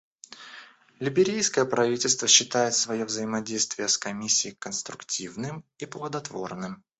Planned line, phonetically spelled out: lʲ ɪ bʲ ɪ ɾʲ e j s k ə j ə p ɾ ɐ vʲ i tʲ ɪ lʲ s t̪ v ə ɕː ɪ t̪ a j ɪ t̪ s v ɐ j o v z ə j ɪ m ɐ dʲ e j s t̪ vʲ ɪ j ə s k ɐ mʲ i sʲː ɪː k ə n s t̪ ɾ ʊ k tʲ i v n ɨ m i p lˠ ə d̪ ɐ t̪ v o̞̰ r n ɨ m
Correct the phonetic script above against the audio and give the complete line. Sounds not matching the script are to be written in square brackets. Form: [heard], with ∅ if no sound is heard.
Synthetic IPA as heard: lʲ ɪ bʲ ɪ ɾʲ e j s k ə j ə p ɾ ɐ vʲ i tʲ ɪ lʲ s t̪ v ə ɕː ɪ t̪ a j ɪ t̪ s v ɐ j o v z ə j ɪ m ɐ dʲ e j s t̪ vʲ ɪ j ə s k ɐ mʲ i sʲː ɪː k ə n s t̪ ɾ ʊ k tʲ i v n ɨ m i p lˠ ə d̪ ɐ t̪ v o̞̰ r n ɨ m